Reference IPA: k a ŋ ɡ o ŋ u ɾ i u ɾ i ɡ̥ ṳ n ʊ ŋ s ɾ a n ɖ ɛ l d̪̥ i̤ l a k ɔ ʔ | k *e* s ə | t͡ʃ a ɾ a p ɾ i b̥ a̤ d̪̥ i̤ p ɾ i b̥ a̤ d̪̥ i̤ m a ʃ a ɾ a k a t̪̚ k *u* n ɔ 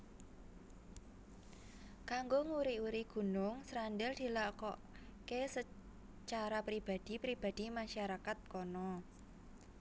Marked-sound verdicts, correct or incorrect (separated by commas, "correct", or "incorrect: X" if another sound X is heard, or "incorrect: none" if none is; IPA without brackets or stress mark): correct, incorrect: ɔ